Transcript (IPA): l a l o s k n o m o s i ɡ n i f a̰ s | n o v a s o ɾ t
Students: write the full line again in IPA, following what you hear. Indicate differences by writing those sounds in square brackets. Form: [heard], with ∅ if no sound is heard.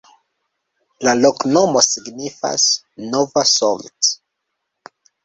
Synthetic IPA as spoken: l a l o [∅] k n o m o s i ɡ n i f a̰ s | n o v a s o [l] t